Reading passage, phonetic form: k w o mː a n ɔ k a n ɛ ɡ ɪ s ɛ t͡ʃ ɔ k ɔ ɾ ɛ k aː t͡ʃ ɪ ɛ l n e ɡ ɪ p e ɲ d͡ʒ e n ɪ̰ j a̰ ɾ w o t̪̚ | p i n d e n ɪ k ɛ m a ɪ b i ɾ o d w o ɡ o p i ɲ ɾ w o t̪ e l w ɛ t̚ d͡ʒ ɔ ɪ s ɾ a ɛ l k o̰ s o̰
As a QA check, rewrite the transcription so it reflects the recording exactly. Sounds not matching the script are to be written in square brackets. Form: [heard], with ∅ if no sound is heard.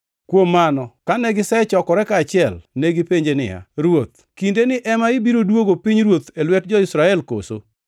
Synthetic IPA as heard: k w o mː a n ɔ k a n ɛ ɡ ɪ s ɛ t͡ʃ ɔ k ɔ ɾ ɛ k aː t͡ʃ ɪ ɛ l n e ɡ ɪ p e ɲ d͡ʒ e n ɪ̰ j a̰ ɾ w o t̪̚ | [k] i n d e n ɪ [ʔ] ɛ m a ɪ b i ɾ o d w o ɡ o p i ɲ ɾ w o t̪ e l w ɛ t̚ d͡ʒ ɔ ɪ s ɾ a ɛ l k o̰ s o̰